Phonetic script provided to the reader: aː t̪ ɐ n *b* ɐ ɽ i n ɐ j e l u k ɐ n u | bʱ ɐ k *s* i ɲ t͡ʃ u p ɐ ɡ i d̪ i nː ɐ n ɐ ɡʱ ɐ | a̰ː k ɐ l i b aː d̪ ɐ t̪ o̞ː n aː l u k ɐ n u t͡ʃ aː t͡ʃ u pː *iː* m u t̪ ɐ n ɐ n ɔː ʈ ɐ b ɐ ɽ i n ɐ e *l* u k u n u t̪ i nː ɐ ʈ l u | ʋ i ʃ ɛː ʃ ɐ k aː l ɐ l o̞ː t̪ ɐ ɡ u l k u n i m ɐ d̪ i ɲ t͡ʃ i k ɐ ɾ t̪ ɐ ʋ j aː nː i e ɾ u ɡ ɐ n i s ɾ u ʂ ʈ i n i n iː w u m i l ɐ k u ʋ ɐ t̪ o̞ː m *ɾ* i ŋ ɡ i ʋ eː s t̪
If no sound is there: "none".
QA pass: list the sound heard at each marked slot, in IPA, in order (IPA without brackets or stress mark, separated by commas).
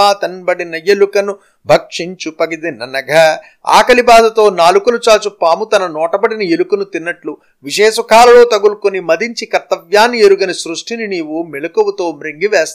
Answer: b, ʂ, aː, l, ɾ